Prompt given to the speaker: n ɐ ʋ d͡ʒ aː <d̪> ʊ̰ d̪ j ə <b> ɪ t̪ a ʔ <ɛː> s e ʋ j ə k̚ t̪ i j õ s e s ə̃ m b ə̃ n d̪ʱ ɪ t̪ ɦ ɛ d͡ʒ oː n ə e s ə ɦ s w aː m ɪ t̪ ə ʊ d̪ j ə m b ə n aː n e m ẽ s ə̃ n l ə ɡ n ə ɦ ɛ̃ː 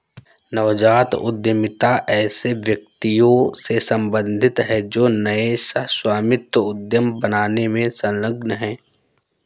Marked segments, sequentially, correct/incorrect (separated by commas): incorrect, incorrect, correct